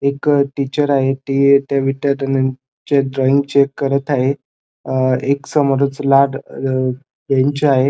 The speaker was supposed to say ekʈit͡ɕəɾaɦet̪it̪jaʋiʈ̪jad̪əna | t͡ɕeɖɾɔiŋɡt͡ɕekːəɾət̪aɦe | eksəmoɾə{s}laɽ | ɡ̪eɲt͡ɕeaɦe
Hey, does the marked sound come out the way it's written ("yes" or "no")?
no